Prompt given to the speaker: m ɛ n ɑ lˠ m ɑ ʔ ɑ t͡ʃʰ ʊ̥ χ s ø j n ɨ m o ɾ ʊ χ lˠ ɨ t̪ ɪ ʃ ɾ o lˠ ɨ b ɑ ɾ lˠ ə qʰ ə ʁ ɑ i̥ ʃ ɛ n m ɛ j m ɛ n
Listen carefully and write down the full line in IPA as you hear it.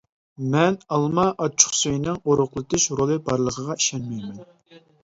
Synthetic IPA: m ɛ n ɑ lˠ m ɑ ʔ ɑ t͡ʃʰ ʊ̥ χ s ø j n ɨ ŋ o ɾ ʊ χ lˠ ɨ t̪ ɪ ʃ ɾ o lˠ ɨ b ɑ ɾ lˠ ə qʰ ə ʁ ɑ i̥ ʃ ɛ n m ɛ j m ɛ n